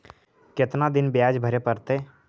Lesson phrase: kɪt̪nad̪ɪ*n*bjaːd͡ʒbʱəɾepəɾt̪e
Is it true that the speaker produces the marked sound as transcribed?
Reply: yes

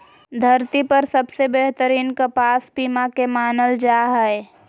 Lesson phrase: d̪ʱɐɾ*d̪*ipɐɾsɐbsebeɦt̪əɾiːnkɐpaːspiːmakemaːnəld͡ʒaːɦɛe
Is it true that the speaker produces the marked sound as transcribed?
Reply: no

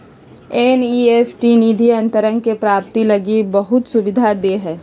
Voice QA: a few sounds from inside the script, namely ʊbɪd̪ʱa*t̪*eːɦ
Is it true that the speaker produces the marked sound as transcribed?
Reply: no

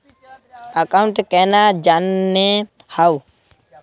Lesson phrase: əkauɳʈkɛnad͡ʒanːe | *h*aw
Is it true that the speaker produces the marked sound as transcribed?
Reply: yes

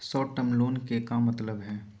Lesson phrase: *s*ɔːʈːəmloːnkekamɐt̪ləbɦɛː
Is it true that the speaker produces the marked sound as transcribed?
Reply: yes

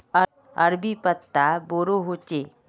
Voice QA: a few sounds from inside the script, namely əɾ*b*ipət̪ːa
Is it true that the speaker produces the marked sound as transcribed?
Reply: yes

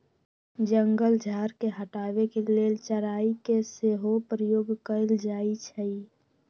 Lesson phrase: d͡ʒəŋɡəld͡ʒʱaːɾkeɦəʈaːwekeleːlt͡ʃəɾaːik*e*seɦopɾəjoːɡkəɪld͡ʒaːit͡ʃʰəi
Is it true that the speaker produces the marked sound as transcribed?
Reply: yes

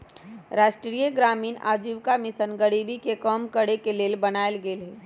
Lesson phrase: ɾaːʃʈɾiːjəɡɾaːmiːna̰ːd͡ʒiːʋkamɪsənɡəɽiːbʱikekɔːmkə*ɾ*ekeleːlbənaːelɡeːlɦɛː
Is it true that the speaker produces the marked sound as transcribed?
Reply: no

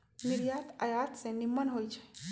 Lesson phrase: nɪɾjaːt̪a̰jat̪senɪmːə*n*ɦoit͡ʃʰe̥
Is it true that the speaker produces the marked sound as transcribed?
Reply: yes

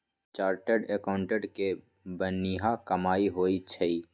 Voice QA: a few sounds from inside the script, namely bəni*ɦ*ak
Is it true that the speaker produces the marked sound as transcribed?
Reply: yes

